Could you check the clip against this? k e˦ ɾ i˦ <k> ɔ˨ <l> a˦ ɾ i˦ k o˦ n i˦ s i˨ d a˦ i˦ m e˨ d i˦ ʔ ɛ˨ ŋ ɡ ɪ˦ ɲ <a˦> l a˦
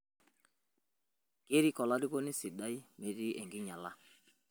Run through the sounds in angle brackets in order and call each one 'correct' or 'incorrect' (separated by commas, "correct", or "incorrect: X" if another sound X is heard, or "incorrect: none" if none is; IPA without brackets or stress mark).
correct, correct, incorrect: a˨